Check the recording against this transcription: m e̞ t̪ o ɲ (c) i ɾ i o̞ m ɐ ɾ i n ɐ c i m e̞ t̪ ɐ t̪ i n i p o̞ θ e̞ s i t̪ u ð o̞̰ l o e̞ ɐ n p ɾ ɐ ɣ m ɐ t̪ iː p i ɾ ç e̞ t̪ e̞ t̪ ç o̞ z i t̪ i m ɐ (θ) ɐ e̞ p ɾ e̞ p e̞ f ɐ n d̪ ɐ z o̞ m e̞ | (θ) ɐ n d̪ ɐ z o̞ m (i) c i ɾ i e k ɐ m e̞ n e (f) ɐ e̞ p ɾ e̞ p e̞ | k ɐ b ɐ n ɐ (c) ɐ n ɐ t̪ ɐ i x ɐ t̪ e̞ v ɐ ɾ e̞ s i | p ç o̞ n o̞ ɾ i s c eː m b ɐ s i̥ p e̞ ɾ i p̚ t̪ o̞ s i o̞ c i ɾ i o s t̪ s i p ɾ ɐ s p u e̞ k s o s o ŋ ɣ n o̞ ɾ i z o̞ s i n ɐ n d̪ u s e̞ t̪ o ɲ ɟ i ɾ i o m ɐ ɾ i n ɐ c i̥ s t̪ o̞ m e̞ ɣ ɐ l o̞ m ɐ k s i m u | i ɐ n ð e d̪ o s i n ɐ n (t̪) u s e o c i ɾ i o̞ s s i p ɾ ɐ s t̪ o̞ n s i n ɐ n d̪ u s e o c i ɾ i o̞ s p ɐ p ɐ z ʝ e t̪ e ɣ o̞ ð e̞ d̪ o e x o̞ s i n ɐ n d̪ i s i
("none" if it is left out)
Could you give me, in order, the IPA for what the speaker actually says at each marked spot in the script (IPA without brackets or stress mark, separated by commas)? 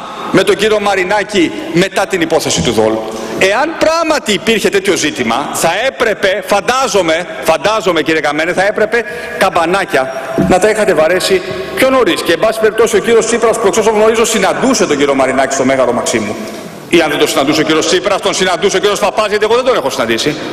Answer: ɟ, θ, f, e, θ, c, d̪